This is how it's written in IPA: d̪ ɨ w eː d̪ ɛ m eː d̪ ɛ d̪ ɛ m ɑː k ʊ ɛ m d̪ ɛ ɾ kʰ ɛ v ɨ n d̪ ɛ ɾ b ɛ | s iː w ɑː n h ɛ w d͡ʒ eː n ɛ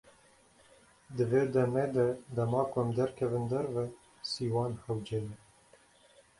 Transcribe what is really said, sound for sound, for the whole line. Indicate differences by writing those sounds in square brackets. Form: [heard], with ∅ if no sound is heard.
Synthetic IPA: d̪ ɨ [v] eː d̪ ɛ m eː d̪ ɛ d̪ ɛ m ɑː k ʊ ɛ m d̪ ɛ ɾ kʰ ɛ v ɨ n d̪ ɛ ɾ [v] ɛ | s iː w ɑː n h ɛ w d͡ʒ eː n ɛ